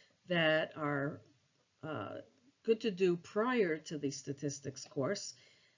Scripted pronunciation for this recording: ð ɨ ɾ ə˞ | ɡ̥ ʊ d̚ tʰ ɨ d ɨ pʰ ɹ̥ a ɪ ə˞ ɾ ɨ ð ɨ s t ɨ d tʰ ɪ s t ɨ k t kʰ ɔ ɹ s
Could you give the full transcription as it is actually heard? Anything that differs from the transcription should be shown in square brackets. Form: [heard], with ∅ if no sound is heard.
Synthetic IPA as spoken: ð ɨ ɾ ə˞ | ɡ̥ ʊ d̚ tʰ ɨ d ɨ pʰ ɹ̥ a ɪ ə˞ ɾ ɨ ð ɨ s t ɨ [∅] tʰ ɪ s t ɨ k [s] kʰ ɔ ɹ s